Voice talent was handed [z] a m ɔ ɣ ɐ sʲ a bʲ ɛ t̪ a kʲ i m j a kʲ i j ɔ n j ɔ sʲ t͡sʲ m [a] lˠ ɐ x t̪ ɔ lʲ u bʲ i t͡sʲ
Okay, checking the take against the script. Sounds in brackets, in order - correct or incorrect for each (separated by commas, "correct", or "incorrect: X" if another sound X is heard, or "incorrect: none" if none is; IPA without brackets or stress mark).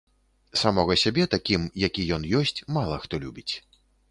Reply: incorrect: s, correct